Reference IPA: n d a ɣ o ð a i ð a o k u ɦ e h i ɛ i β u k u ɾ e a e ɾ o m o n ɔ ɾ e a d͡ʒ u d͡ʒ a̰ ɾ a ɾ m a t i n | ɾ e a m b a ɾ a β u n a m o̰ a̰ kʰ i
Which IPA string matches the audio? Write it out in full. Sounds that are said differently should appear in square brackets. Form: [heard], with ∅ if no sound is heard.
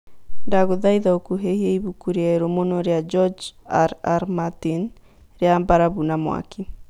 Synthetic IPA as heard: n d a ɣ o ð a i ð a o k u ɦ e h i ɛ i β u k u ɾ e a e ɾ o m o n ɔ ɾ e a d͡ʒ [ɔ] d͡ʒ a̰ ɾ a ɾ m a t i n | ɾ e a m b a ɾ a β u n a m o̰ a̰ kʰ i